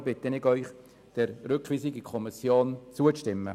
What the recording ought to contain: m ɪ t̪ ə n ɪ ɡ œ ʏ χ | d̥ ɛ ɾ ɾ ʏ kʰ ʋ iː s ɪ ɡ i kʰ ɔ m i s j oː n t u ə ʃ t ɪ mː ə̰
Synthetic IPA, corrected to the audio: b ɪ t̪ ə n ɪ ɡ œ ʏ χ | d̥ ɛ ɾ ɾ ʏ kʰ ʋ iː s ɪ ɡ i kʰ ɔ m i s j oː n t͡s u ə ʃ t ɪ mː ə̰